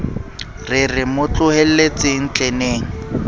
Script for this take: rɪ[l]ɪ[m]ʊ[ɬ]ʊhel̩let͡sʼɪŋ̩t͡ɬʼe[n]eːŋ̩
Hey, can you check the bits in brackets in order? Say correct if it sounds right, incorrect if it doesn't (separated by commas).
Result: incorrect, correct, incorrect, correct